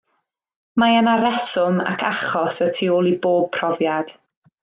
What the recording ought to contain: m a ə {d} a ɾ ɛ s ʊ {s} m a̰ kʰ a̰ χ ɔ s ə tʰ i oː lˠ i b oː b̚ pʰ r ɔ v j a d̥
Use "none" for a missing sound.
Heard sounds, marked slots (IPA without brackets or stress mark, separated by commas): n, none